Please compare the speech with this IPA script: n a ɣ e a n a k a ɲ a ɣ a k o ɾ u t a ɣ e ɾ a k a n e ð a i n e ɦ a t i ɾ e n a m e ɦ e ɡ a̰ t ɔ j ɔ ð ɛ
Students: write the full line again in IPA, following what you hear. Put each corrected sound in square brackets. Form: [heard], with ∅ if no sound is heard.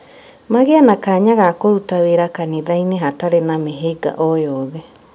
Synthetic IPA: [m] a ɣ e a n a k a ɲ a ɣ a k o ɾ u t a [w] e ɾ a k a n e ð a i n e ɦ a t [a] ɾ e n a m e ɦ e ɡ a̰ [ʔ] ɔ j ɔ ð ɛ